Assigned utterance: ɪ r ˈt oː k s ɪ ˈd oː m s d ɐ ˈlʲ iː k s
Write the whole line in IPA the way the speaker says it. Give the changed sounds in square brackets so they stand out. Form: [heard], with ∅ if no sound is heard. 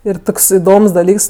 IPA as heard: ɪ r ˈt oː k s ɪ ˈd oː m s d ɐ ˈlʲ iː k s